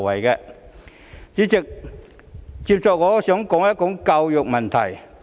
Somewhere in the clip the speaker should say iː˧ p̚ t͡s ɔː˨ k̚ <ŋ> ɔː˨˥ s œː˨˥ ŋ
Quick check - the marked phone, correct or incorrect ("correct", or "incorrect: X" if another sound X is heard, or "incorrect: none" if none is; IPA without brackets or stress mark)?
correct